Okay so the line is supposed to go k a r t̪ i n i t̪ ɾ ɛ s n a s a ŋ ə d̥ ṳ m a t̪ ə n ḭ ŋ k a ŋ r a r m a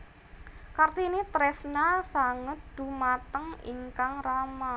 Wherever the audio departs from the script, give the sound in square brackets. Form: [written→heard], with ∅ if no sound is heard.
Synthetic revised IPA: k a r t̪ i n i t̪ ɾ ɛ s n a s a ŋ ə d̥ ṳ m a t̪ ə [n→ŋ] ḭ ŋ k a ŋ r a [r→∅] m a